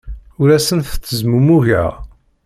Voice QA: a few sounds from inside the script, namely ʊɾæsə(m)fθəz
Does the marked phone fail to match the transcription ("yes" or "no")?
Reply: yes